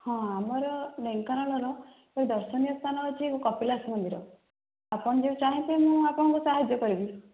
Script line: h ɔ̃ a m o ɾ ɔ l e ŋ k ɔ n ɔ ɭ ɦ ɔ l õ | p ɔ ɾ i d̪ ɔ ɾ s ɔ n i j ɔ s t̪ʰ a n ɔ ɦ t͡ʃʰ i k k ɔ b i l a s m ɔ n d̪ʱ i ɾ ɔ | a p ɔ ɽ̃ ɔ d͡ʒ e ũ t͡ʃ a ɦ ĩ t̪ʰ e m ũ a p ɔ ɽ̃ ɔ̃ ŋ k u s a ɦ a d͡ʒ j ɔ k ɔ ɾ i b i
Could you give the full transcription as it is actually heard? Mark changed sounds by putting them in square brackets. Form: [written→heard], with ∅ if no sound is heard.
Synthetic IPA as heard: h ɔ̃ a m [o→ɔ] ɾ ɔ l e ŋ k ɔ n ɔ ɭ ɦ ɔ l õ | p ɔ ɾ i d̪ ɔ ɾ s ɔ n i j ɔ s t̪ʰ a n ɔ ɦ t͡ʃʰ i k k ɔ [b→p] i l a s m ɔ n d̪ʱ i ɾ ɔ | a p ɔ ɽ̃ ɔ d͡ʒ e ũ t͡ʃ a ɦ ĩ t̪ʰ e m ũ a p ɔ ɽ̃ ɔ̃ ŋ k u s a ɦ a d͡ʒ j ɔ k ɔ ɾ i b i